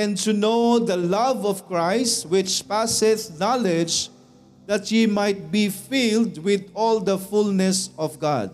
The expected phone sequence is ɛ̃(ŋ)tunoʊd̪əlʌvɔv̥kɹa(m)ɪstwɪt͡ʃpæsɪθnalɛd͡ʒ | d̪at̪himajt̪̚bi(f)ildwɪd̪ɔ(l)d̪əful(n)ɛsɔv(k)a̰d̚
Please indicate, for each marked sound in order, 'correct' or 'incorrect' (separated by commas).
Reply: incorrect, incorrect, correct, correct, correct, incorrect